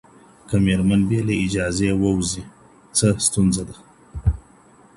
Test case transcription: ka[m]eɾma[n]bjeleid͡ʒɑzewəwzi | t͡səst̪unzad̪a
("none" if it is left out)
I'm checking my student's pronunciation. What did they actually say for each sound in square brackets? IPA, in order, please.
m, n

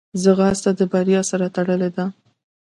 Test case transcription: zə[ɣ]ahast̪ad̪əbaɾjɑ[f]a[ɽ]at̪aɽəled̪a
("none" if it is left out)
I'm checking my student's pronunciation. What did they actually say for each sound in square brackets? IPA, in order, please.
ɣ, s, ɾ

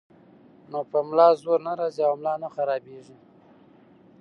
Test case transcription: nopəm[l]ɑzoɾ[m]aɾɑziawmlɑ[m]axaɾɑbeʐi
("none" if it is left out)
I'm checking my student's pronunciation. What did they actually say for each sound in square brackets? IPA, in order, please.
l, n, n

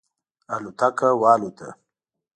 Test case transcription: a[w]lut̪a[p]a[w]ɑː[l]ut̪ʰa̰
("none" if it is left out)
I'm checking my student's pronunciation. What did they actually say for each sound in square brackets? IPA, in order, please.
none, k, w, l

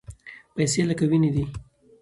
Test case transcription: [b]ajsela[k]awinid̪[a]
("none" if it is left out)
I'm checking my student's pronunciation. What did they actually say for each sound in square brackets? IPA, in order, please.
p, k, i

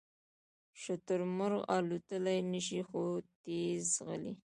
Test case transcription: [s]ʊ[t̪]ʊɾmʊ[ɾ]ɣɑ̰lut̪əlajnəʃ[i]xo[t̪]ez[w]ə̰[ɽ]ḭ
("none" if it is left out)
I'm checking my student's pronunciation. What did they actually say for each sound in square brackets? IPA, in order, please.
ʃ, t̪, ɾ, i, t̪, ɣ, l

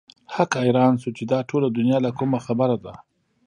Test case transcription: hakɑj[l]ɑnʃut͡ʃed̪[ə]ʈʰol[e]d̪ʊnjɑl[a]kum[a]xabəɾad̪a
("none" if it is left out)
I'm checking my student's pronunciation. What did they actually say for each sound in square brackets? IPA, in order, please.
ɾ, ɑ, a, a, a

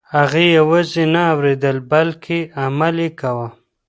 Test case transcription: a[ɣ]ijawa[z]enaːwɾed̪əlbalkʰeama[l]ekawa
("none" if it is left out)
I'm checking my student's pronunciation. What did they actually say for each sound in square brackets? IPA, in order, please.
ɣ, z, l

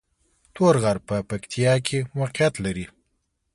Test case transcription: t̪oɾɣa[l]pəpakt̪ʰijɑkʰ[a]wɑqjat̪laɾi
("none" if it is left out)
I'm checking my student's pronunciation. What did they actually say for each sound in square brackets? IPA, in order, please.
ɾ, e

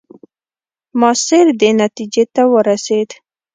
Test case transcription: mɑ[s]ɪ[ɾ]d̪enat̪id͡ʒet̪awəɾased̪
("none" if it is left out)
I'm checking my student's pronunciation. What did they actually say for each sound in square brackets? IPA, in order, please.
s, ɾ

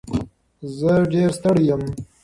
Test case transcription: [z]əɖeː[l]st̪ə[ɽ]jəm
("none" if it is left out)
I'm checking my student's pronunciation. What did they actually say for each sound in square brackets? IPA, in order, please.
z, ɾ, ɽ

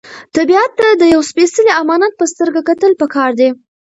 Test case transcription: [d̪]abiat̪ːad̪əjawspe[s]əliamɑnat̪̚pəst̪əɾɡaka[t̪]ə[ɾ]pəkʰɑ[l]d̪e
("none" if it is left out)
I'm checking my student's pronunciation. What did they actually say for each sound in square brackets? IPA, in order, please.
t̪, s, t̪, l, ɾ

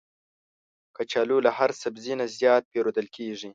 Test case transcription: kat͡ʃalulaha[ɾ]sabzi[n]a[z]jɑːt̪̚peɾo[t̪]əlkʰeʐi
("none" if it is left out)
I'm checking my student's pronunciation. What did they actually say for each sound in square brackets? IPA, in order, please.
ɾ, n, z, d̪

